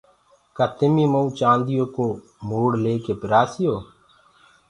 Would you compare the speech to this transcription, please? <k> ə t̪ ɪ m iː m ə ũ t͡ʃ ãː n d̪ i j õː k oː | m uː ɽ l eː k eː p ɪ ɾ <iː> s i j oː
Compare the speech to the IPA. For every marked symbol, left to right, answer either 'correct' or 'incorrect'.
correct, incorrect

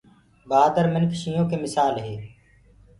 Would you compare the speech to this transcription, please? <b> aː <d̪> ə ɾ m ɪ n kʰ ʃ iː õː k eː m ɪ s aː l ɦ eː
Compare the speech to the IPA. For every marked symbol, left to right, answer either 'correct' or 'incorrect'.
correct, correct

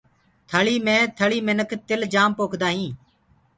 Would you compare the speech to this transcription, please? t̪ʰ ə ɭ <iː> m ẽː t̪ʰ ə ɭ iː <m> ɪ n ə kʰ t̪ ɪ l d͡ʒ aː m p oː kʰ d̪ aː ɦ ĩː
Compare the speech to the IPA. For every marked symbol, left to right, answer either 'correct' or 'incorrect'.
correct, correct

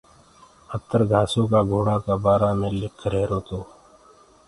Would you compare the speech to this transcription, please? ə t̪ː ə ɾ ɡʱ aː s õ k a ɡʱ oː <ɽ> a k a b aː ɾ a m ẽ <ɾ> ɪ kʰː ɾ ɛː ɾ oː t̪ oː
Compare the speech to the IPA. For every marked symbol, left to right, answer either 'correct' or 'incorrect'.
correct, incorrect

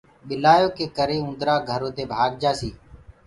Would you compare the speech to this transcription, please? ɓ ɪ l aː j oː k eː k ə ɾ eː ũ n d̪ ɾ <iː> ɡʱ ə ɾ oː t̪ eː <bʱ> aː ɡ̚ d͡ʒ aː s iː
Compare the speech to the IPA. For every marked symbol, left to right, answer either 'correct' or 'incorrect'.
incorrect, correct

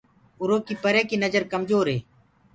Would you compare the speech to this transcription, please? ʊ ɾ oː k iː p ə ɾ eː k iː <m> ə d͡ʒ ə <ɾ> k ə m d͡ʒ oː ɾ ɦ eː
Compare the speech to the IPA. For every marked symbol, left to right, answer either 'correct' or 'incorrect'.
incorrect, correct

